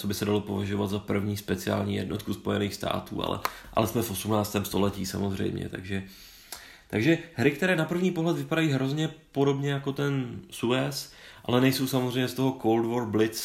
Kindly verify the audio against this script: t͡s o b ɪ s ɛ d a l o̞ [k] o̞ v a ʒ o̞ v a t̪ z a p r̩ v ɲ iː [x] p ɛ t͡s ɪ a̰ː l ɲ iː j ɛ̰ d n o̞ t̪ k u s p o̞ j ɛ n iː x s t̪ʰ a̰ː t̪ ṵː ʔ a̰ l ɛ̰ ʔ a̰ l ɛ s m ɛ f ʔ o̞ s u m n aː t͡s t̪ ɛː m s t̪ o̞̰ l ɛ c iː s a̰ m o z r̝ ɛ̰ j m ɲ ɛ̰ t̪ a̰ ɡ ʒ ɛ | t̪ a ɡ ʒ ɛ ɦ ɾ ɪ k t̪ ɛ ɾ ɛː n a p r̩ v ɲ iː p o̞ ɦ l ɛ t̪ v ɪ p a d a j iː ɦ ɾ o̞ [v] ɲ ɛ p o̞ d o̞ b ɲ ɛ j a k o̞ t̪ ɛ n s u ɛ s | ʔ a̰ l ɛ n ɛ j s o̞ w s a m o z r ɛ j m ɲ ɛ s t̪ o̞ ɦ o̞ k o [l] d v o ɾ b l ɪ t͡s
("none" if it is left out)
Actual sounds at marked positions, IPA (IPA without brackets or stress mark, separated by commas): p, s, z, l